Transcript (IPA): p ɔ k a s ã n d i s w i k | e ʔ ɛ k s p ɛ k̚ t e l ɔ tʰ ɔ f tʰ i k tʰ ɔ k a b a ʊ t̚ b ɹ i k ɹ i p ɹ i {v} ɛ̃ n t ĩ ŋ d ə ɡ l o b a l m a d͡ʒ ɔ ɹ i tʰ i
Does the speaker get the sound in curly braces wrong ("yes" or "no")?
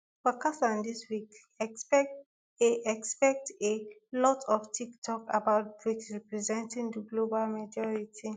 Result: yes